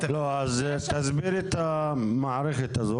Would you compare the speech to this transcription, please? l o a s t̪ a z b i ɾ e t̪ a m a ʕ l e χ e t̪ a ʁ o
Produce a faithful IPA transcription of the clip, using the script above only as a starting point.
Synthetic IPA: l o a z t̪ a z b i ɾ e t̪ a m a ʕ ɾ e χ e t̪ a z o